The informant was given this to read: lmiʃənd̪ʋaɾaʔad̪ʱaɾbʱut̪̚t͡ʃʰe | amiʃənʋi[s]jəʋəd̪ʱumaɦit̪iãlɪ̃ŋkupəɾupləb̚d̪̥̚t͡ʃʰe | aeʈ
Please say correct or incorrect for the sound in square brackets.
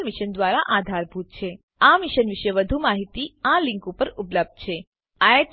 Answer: incorrect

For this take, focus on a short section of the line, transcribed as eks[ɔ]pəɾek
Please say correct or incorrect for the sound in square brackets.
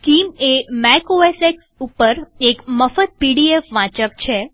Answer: incorrect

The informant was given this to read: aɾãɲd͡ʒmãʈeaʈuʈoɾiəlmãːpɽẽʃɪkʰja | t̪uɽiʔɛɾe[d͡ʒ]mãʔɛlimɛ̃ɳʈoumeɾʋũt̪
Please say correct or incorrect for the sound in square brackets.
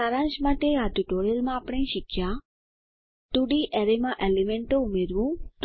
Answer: incorrect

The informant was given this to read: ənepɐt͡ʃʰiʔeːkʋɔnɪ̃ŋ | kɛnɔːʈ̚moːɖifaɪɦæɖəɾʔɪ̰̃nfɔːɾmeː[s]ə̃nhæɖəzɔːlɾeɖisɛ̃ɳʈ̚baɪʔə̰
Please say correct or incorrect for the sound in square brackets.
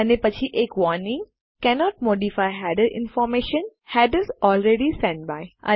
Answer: incorrect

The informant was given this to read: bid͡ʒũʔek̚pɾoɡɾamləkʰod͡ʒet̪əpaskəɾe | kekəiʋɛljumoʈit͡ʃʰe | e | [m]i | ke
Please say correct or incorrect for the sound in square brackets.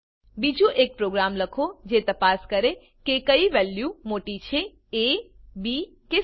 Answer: incorrect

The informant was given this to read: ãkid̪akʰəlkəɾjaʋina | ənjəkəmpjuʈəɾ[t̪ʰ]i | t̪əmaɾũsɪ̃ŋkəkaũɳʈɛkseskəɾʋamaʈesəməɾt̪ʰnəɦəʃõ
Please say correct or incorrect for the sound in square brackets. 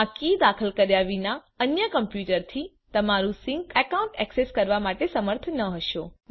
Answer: correct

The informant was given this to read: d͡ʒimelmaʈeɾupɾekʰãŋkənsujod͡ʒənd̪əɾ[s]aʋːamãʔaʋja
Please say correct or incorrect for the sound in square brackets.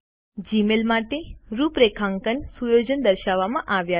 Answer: incorrect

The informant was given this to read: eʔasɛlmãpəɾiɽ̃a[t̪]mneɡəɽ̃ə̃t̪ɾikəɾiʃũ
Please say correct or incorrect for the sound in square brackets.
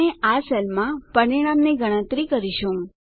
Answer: incorrect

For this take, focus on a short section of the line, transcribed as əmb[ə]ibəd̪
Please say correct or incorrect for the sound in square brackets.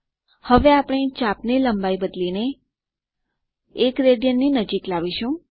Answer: incorrect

